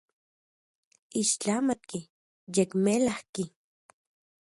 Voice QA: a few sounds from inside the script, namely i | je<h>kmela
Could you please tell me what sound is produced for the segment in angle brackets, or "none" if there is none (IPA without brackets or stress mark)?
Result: none